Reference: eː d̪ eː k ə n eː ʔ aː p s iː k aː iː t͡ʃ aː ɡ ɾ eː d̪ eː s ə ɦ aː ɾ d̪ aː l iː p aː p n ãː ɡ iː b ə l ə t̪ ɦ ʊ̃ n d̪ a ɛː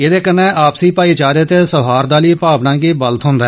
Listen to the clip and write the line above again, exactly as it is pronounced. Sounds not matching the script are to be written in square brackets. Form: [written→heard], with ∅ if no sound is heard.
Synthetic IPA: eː d̪ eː k ə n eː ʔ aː p s iː [k→p] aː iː t͡ʃ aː [ɡ→∅] ɾ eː [d̪→t̪] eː s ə ɦ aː ɾ d̪ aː l iː p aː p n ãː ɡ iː b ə l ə t̪ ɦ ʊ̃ n d̪ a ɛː